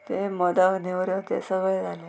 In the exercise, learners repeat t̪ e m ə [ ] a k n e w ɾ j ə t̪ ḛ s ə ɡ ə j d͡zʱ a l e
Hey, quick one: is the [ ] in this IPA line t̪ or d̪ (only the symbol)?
d̪